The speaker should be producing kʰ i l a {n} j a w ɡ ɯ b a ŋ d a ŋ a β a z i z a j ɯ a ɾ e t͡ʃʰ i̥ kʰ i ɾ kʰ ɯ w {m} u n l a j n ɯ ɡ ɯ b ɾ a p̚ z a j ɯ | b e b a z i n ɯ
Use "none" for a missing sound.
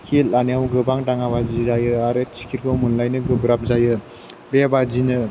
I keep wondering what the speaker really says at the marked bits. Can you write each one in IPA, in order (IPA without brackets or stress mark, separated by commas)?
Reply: n, m